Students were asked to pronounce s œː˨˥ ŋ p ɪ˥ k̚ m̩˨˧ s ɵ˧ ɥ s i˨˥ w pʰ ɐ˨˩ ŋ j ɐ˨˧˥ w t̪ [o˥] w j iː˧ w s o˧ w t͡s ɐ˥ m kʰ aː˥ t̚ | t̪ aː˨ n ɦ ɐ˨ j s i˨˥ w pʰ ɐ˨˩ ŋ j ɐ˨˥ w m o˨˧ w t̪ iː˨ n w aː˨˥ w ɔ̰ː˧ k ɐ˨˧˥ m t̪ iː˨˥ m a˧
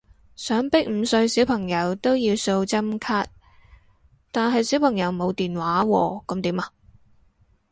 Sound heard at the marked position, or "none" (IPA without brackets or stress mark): o˥